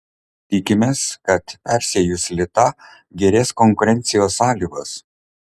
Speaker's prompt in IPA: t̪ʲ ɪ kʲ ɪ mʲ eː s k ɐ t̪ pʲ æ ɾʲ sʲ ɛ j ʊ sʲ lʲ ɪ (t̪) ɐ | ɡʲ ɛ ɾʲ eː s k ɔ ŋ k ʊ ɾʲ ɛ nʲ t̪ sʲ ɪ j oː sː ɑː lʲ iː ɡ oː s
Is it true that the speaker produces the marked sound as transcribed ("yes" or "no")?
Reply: yes